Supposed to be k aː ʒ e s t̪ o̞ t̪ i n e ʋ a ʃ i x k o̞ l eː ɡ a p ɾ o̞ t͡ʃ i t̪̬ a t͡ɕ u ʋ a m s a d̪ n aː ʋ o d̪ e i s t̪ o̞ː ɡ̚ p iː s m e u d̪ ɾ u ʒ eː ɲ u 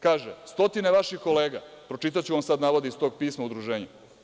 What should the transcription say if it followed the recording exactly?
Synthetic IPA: k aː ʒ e s t̪ o̞ t̪ i n e ʋ a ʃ i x k o̞ l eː ɡ a p ɾ o̞ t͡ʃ i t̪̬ a t͡ɕ u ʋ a m s a d̪ n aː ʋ o d̪ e i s t̪ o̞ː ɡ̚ p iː s m a u d̪ ɾ u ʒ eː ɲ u